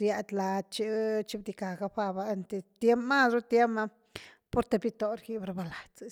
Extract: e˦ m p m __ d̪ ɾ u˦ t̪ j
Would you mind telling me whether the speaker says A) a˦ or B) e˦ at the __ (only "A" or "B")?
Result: A